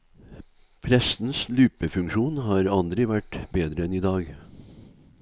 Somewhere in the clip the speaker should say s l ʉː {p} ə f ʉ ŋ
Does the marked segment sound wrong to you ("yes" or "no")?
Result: no